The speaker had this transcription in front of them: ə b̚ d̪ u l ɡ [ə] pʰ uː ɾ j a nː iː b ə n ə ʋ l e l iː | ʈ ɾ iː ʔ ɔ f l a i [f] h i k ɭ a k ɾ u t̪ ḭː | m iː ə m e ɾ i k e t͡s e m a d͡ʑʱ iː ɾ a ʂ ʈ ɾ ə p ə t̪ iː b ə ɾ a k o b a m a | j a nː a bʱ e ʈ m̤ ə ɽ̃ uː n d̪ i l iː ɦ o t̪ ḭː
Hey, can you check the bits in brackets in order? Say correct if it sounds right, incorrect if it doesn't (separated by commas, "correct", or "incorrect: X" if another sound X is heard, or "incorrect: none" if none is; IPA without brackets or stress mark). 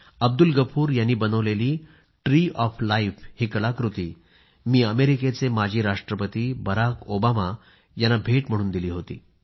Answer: correct, correct